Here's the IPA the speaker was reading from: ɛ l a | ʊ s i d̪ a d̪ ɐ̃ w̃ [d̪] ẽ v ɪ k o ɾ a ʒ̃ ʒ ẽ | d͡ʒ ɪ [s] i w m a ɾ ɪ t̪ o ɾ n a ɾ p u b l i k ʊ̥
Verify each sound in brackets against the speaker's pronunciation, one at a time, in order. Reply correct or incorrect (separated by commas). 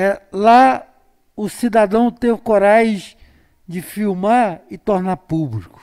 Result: incorrect, incorrect